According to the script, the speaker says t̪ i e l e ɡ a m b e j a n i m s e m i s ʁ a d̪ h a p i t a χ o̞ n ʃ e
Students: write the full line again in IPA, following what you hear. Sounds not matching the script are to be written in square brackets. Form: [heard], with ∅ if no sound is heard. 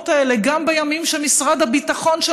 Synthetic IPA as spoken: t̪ [a] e l e ɡ a m b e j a [m] i m [ʃ] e m i s ʁ a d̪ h a [b] i t a χ o̞ n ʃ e